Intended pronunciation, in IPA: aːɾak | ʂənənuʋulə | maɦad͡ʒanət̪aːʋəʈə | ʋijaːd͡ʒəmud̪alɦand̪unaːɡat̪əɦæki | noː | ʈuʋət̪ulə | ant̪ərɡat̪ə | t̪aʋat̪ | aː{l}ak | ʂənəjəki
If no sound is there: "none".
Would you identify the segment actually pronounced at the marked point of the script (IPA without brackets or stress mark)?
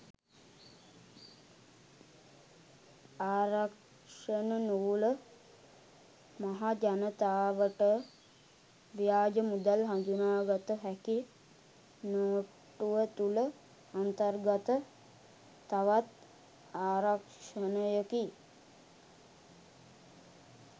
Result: ɾ